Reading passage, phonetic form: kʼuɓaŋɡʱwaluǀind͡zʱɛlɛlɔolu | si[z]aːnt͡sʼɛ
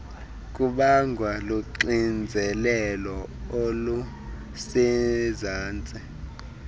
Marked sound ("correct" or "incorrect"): correct